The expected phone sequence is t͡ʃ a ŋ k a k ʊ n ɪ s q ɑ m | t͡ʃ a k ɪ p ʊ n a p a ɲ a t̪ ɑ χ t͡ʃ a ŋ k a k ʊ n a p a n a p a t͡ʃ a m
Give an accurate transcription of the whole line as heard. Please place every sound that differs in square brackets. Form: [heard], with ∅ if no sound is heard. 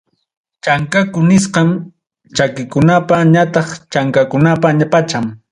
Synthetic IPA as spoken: t͡ʃ a ŋ k a k ʊ n ɪ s q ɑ m | t͡ʃ a k ɪ [k] ʊ n a p a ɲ a t̪ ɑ χ t͡ʃ a ŋ k a k ʊ n a p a [ɲ] a p a t͡ʃ a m